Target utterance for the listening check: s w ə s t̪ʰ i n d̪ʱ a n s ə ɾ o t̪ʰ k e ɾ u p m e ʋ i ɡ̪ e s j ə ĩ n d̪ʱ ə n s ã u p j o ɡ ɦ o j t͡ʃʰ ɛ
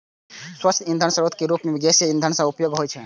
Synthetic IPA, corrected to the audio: s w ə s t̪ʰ i n d̪ʱ ə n s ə ɾ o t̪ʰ k e ɾ u p m e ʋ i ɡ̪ e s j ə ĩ n d̪ʱ ə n s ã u p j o ɡ ɦ o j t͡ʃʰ ɛ